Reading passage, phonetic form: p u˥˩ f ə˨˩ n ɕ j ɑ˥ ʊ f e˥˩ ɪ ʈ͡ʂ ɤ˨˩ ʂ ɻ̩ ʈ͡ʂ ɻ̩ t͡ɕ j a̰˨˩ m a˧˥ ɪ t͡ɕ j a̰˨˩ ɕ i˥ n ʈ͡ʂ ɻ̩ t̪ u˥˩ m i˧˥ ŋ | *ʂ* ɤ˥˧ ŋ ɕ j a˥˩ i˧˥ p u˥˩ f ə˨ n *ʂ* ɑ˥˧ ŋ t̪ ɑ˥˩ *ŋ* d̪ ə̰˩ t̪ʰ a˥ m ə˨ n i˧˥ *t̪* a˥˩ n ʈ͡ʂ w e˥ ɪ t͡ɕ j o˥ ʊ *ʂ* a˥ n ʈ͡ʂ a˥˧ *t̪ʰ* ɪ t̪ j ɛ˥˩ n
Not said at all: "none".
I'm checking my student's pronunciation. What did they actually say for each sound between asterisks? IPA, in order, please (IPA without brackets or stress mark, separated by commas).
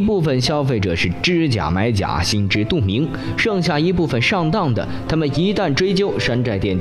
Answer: ʂ, ʂ, ŋ, t̪, ʂ, none